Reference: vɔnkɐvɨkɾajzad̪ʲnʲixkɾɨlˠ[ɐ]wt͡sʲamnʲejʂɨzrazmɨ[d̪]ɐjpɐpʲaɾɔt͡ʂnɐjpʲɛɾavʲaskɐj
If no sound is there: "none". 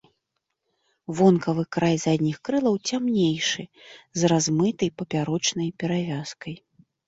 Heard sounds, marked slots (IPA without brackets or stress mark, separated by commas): ɐ, t̪